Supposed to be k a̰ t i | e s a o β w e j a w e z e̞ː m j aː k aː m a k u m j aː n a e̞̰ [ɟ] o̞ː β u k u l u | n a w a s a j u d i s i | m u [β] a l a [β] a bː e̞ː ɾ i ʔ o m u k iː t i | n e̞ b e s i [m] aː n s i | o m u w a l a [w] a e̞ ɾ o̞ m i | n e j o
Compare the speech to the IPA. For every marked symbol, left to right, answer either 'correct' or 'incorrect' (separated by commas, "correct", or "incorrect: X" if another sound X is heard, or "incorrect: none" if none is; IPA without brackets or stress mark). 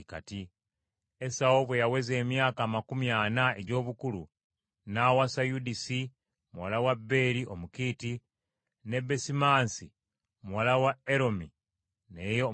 correct, incorrect: w, incorrect: w, correct, correct